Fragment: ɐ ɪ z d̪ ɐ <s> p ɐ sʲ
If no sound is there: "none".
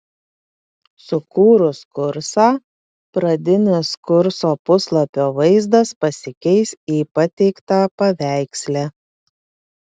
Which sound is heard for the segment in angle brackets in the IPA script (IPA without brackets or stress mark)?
s